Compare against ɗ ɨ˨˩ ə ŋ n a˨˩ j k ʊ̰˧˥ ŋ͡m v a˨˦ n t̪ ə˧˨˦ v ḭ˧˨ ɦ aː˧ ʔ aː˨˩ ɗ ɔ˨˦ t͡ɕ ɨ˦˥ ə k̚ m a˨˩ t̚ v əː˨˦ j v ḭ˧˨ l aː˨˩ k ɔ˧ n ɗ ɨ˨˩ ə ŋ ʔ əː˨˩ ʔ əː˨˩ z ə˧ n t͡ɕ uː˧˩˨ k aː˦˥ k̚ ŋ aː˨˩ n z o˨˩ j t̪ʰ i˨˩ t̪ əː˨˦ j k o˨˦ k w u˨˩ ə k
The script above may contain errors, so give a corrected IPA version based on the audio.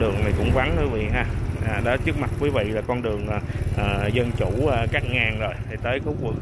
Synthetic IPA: ɗ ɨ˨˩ ə ŋ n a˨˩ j k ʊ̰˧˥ ŋ͡m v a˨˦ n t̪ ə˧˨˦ v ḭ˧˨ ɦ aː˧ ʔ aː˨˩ ɗ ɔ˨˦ t͡ɕ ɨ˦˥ ə k̚ m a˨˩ t̚ v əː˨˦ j v ḭ˧˨ l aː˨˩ k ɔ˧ n ɗ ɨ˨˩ ə ŋ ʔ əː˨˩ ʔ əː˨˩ z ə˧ n t͡ɕ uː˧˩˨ k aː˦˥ k̚ ŋ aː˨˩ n z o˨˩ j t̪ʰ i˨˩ t̪ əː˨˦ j k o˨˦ k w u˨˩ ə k